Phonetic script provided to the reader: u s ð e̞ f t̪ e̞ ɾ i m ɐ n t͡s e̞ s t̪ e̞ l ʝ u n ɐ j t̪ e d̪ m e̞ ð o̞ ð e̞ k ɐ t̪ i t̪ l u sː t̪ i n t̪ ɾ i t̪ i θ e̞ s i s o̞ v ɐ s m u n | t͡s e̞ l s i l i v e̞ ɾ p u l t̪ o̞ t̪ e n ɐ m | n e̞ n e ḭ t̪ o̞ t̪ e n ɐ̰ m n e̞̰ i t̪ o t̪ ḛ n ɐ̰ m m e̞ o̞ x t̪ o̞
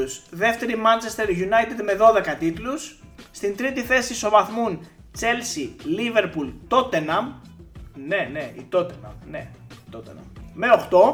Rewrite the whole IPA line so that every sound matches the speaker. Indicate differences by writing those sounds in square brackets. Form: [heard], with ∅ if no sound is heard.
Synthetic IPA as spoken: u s ð e̞ f t̪ e̞ ɾ i m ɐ n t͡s e̞ s t̪ e̞ [ɾ] ʝ u n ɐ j t̪ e d̪ m e̞ ð o̞ ð e̞ k ɐ t̪ i t̪ l u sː t̪ i n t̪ ɾ i t̪ i θ e̞ s i s o̞ v ɐ [θ] m u n | t͡s e̞ l s i l i v e̞ ɾ p u l t̪ o̞ t̪ e n ɐ m | n e̞ n e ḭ t̪ o̞ t̪ e n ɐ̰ m n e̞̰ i t̪ o t̪ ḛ n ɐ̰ m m e̞ o̞ x t̪ o̞